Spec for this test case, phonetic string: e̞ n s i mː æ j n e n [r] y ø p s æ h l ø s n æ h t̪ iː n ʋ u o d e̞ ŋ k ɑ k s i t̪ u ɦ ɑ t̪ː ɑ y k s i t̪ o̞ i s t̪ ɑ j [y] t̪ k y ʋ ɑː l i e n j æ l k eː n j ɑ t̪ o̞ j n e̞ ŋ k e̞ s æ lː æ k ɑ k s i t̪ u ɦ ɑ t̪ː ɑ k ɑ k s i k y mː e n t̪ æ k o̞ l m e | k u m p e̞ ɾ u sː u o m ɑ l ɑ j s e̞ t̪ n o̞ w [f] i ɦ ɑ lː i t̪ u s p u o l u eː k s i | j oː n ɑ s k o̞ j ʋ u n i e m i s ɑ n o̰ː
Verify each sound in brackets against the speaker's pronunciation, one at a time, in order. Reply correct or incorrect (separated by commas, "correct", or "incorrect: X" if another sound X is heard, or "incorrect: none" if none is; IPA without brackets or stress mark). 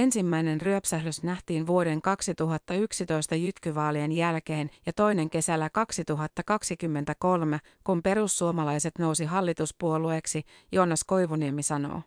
correct, correct, incorrect: s